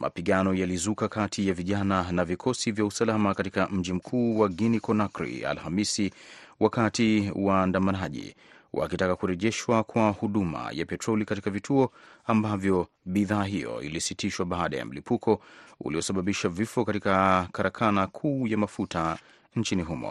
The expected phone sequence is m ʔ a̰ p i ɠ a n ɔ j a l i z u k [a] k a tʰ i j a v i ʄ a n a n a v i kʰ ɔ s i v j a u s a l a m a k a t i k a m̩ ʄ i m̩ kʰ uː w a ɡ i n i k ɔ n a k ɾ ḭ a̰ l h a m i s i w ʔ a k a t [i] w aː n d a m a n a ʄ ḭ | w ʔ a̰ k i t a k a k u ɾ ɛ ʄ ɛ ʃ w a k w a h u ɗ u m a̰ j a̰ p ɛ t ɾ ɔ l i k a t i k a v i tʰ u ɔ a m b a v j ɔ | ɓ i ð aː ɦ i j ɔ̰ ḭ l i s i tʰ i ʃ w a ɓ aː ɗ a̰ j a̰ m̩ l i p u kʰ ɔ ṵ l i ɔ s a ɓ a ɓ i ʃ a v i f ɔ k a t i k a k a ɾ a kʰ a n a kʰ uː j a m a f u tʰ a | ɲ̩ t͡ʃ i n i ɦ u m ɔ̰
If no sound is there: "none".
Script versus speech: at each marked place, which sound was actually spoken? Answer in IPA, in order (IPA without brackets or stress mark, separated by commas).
a, i